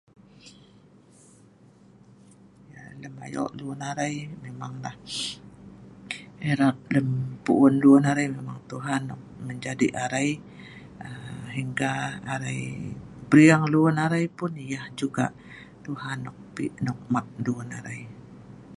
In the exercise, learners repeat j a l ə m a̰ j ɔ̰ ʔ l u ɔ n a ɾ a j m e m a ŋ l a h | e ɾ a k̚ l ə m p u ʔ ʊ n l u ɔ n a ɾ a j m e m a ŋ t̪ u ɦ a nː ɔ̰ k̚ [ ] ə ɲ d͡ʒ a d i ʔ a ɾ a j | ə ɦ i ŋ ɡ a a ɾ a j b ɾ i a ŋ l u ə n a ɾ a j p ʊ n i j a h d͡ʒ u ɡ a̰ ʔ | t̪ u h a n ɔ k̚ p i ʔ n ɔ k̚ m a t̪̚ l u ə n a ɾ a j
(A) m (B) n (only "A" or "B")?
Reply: A